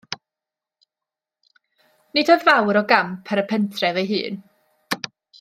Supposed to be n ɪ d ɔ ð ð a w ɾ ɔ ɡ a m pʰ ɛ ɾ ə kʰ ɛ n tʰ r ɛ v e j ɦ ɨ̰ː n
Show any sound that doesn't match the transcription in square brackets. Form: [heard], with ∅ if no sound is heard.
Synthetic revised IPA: n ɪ d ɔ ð [v] a w ɾ ɔ ɡ a m pʰ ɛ ɾ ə [pʰ] ɛ n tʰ r ɛ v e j ɦ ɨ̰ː n